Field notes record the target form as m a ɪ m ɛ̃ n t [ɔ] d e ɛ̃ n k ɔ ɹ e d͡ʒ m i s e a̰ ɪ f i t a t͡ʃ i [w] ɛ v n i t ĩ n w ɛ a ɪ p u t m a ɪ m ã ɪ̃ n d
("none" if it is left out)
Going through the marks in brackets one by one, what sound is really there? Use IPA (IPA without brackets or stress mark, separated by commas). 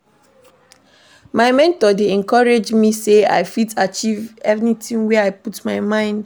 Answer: ɔ, v